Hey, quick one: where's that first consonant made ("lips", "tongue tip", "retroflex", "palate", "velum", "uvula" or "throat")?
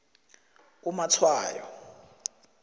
lips